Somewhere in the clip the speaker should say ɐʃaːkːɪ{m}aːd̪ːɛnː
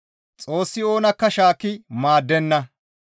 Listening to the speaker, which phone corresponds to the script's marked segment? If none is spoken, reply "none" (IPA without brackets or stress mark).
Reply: m